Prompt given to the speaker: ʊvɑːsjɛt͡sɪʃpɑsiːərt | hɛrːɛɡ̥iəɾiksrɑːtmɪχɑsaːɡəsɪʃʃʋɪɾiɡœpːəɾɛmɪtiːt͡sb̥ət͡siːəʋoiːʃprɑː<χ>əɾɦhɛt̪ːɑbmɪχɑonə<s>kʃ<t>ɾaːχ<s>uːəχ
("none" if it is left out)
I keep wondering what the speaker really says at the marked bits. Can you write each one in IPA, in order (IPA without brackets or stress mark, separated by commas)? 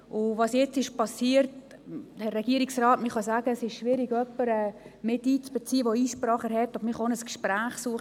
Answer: χ, s, p, s